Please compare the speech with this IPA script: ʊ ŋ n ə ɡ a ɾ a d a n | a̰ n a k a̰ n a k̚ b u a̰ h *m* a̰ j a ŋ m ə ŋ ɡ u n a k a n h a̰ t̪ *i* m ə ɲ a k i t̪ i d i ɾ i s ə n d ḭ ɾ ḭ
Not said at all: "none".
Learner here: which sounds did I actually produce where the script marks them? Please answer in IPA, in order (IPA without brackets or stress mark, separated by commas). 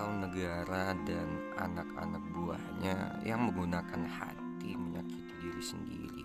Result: ɲ, i